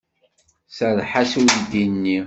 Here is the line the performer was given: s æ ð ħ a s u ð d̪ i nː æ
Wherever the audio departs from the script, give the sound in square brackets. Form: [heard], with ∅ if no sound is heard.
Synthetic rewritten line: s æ ð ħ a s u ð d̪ i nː [i]